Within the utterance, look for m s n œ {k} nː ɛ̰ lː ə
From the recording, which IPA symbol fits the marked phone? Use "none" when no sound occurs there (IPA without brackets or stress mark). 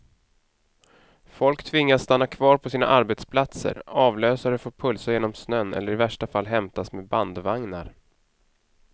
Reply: none